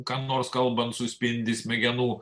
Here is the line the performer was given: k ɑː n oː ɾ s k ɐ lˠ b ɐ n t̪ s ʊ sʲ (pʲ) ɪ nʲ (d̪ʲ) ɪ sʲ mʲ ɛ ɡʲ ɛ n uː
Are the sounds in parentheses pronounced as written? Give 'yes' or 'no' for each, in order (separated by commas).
yes, yes